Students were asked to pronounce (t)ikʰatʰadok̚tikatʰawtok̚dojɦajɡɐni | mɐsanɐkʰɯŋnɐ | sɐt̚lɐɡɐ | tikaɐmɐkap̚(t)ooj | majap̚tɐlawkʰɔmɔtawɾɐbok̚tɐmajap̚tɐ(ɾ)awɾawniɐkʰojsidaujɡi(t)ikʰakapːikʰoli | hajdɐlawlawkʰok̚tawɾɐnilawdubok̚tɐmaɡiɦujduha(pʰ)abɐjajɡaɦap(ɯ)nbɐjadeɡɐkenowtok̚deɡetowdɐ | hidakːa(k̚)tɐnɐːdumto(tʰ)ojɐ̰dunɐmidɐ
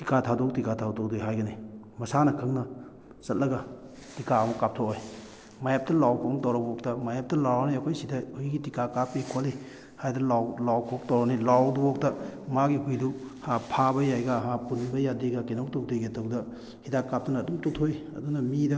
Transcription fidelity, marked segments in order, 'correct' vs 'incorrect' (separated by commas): correct, incorrect, incorrect, correct, correct, incorrect, incorrect, correct